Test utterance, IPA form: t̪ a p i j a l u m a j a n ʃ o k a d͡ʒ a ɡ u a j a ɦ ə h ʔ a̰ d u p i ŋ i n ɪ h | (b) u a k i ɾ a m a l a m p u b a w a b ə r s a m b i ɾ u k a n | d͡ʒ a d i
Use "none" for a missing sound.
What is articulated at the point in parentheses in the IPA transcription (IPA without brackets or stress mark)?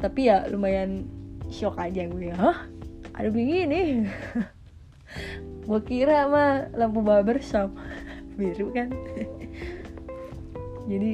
ɡ